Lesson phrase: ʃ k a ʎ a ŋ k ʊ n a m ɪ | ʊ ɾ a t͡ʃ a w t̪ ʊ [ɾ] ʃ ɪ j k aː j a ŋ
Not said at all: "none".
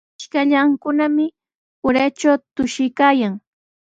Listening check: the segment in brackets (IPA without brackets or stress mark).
none